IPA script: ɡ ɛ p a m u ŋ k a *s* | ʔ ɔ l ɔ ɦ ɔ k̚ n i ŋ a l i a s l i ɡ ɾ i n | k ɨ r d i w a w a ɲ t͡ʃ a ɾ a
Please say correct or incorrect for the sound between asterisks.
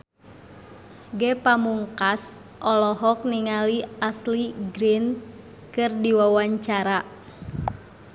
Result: correct